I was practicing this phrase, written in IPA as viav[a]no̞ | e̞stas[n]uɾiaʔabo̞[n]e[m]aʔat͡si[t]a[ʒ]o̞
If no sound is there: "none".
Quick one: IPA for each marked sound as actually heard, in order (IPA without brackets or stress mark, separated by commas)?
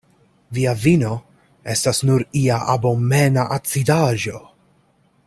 i, n, m, n, d, ʒ